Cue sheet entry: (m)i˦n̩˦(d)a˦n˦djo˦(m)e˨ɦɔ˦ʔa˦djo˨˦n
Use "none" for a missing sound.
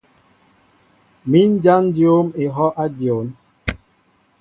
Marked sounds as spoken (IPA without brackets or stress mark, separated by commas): m, d͡ʒ, m